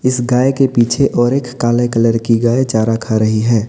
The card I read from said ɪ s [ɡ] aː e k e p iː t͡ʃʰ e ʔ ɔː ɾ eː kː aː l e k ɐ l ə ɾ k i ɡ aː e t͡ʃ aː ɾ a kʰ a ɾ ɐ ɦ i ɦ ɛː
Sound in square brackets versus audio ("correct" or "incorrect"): correct